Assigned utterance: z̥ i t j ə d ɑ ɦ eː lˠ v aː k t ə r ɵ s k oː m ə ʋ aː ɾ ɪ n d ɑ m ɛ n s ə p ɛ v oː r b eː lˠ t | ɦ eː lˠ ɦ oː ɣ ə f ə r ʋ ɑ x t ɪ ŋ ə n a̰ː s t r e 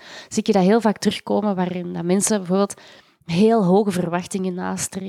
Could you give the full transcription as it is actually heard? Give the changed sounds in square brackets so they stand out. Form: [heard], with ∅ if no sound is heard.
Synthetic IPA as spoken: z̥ i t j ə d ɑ ɦ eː lˠ v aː k t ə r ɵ [x] k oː m ə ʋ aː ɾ ɪ n d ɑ m ɛ n s ə [b] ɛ v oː r b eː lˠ t | ɦ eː lˠ ɦ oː ɣ ə [v] ə r ʋ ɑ x t ɪ ŋ ə n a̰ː s t r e